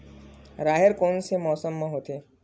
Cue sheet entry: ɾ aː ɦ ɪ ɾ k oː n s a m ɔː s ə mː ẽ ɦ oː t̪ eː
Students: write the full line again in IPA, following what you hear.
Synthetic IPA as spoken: ɾ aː ɦ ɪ ɾ k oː n s e m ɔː s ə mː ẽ ɦ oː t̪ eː